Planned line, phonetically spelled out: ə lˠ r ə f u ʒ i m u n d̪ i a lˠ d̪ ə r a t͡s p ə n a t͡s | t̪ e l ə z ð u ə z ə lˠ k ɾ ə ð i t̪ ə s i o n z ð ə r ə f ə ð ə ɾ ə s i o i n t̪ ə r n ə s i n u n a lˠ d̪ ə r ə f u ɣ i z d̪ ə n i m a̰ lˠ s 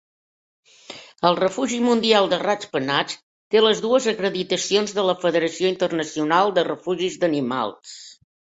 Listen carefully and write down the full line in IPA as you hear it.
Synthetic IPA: ə lˠ r ə f u ʒ i m u n d̪ i a lˠ d̪ ə r a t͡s p ə n a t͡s | t̪ e l ə z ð u ə z ə k ɾ ə ð i t̪ ə s i o n z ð ə l ə f ə ð ə ɾ ə s i o i n t̪ ə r n ə s i u n a lˠ d̪ ə r ə f u ʒ i z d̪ ə n i m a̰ lˠ s